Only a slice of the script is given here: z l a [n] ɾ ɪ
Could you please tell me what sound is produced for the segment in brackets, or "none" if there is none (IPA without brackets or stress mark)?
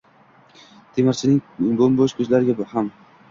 none